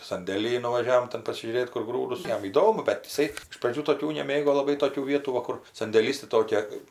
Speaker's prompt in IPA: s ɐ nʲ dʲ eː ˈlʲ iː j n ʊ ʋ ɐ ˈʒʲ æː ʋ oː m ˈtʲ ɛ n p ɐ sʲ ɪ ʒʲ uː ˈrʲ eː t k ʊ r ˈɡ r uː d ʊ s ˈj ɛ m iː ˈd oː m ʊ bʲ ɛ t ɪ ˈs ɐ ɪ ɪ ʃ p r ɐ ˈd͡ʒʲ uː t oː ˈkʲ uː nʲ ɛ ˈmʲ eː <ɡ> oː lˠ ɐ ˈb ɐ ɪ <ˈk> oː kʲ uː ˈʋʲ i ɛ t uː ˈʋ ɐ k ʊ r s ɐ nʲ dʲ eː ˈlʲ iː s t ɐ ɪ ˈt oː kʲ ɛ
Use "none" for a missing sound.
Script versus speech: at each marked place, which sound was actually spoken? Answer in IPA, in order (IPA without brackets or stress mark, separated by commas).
ɡ, t